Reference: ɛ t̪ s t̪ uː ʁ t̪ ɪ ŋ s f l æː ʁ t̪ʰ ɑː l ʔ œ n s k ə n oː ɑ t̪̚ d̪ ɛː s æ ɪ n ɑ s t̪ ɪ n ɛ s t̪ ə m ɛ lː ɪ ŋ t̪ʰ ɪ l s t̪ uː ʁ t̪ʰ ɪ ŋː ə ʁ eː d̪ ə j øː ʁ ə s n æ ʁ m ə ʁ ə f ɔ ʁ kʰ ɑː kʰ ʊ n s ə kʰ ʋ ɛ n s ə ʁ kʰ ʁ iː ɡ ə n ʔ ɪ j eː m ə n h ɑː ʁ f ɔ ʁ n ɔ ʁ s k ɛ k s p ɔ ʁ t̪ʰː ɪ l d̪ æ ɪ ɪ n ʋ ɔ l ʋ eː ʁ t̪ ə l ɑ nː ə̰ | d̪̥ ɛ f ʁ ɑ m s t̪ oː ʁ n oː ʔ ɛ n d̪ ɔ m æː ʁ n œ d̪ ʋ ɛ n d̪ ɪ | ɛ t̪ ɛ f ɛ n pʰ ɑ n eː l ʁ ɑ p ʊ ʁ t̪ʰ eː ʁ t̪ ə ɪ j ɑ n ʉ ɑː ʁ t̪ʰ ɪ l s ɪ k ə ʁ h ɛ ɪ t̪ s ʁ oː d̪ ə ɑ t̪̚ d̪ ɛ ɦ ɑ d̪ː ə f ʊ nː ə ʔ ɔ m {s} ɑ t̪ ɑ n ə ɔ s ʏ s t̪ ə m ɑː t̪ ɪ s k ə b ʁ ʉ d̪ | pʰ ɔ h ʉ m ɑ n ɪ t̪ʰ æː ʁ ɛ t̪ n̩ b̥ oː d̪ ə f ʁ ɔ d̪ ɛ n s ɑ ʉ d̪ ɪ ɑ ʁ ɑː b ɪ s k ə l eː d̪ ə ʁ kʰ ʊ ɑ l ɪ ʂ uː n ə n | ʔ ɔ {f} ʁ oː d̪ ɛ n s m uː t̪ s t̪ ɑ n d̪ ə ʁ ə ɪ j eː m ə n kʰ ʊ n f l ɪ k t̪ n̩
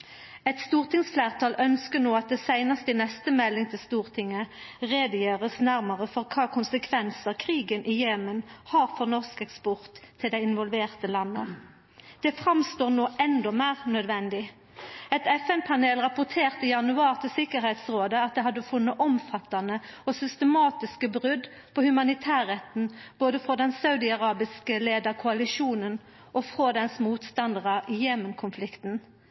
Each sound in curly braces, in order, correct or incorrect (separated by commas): incorrect, correct